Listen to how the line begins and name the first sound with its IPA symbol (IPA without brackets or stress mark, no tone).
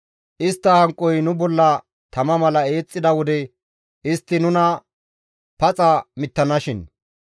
ʔ